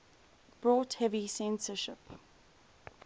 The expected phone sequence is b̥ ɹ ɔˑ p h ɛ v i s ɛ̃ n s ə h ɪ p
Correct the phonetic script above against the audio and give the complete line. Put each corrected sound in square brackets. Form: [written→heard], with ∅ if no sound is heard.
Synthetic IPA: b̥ ɹ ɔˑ [p→t] h ɛ v i s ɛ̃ n s ə [h→ʃ] ɪ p